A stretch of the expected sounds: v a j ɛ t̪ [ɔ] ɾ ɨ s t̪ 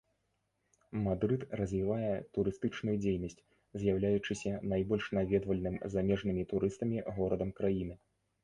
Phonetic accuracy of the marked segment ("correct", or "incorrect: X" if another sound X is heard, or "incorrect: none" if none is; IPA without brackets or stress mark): incorrect: u